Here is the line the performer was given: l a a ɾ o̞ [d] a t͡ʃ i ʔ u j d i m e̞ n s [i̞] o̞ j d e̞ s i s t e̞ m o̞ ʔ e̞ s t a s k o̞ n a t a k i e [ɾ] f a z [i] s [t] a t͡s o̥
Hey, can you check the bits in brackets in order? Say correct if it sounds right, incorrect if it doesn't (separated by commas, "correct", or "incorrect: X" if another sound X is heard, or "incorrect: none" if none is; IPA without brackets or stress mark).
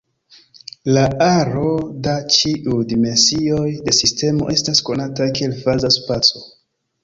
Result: correct, correct, incorrect: l, incorrect: a, incorrect: p